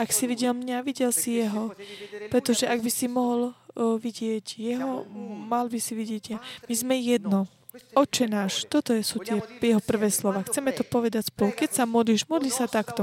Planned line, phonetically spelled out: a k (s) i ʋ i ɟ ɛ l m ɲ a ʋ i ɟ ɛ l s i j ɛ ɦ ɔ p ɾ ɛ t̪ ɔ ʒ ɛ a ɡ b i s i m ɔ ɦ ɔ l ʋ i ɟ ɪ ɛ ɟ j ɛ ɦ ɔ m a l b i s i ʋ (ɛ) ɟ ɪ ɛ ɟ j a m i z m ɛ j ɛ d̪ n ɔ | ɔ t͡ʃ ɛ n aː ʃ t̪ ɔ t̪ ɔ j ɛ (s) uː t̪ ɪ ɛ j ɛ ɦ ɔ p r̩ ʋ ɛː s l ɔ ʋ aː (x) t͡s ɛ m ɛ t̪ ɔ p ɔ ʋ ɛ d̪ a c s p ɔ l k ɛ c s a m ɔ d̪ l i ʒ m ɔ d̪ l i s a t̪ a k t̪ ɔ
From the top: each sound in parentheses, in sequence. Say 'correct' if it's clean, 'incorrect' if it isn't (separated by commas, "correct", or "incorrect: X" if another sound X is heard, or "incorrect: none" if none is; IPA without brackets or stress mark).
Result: correct, incorrect: i, correct, correct